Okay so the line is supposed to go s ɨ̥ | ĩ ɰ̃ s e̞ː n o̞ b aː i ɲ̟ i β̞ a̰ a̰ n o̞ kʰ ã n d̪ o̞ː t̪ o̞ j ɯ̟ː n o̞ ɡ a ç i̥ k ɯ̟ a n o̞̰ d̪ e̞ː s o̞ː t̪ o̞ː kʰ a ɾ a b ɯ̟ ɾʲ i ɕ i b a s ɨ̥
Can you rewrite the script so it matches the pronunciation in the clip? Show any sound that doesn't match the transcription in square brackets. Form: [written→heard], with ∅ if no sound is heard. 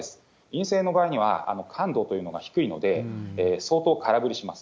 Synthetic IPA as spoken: s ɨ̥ | ĩ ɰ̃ s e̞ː n o̞ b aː i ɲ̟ i β̞ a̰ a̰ n o̞ kʰ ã n d̪ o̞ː t̪ o̞ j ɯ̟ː n o̞ ɡ a ç i̥ k ɯ̟ [a→i] n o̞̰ d̪ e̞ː s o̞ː t̪ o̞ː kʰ a ɾ a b ɯ̟ ɾʲ i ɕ i [b→m] a s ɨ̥